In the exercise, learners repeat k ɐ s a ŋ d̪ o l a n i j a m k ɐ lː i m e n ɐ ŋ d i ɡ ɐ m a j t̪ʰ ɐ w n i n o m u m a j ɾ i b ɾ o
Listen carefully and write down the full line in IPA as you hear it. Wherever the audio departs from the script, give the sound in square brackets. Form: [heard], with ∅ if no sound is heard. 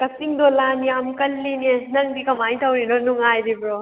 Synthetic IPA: k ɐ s [i] ŋ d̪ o l a n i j a m k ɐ lː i [n] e n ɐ ŋ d i [k] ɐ m a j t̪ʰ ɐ w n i n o [n] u [ŋ] a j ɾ i b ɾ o